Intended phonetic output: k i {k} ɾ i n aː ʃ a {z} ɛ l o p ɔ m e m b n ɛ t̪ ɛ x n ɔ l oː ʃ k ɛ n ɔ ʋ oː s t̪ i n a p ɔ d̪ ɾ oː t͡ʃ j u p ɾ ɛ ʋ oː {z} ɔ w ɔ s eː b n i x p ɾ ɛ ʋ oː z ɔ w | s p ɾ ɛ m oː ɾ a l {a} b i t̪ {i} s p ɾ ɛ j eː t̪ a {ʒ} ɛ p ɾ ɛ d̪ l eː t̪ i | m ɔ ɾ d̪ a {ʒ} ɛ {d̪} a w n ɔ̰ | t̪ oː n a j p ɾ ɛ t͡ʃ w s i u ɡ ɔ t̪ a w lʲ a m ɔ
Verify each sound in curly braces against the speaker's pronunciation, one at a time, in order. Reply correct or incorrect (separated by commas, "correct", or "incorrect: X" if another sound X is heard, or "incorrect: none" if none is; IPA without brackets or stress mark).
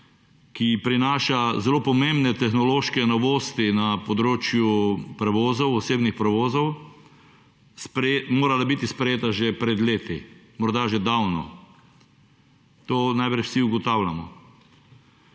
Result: incorrect: p, correct, correct, correct, correct, correct, correct, correct